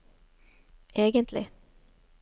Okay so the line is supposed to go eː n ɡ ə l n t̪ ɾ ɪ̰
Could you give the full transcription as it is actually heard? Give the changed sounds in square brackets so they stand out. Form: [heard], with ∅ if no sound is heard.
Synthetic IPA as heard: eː [∅] ɡ ə [∅] n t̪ [l] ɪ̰

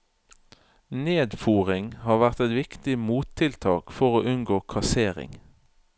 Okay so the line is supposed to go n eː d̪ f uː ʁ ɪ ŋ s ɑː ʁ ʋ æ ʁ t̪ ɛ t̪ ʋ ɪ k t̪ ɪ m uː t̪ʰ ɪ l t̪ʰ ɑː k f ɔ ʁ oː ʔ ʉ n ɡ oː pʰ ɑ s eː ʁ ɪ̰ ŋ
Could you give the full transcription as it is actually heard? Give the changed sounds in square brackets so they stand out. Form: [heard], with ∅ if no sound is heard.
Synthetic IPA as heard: n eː d̪ f uː ʁ ɪ ŋ [h] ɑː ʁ ʋ æ ʁ t̪ ɛ t̪ ʋ ɪ k t̪ ɪ m uː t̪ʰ ɪ l t̪ʰ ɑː k f ɔ ʁ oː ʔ ʉ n ɡ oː [kʰ] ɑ s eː ʁ ɪ̰ ŋ

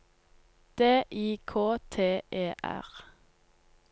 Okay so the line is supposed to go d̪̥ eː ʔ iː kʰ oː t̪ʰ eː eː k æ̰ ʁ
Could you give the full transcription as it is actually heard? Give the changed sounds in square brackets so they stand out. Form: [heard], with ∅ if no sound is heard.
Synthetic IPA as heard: d̪̥ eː ʔ iː kʰ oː t̪ʰ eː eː [ʔ] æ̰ ʁ

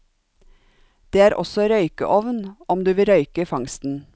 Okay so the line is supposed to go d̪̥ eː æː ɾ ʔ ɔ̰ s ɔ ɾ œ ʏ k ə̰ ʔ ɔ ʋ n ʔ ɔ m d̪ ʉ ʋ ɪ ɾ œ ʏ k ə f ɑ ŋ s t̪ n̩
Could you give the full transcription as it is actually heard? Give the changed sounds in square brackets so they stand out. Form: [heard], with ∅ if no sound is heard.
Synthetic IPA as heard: d̪̥ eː æː ɾ ʔ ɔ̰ s ɔ ɾ œ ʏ k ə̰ ʔ ɔ ʋ n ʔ ɔ m d̪ [ʉː] ʋ ɪ ɾ œ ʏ k ə f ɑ ŋ s t̪ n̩

